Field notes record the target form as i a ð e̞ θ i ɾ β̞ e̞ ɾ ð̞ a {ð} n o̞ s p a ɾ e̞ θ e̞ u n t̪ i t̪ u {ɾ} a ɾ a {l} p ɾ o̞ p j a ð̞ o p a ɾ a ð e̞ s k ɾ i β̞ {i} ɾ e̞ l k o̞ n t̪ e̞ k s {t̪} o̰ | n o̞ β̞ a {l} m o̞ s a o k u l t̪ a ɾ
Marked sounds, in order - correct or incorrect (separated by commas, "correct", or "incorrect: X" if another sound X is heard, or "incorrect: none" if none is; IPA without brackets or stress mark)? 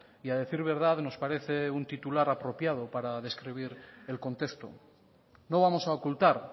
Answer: correct, incorrect: l, incorrect: none, correct, correct, incorrect: none